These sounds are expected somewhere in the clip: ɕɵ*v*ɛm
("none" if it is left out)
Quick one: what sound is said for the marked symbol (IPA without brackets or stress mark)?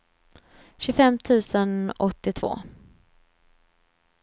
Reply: f